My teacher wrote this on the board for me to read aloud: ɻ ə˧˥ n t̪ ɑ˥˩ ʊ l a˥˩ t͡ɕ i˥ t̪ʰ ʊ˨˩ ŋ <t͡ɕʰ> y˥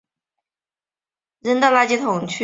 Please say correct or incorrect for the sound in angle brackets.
correct